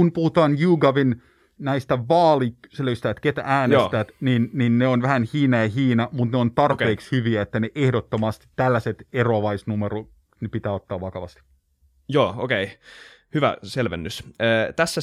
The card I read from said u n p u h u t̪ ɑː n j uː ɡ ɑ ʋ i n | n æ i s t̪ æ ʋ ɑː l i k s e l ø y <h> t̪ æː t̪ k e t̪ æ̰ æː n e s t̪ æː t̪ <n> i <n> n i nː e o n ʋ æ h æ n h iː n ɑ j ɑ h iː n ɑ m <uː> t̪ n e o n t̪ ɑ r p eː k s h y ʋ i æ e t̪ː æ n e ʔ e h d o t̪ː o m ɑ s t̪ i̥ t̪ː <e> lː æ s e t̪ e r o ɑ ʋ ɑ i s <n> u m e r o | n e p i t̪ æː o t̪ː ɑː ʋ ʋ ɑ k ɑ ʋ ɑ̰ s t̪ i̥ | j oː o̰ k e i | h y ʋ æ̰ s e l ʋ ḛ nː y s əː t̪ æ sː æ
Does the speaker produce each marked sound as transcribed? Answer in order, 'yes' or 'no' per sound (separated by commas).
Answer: no, yes, yes, no, no, yes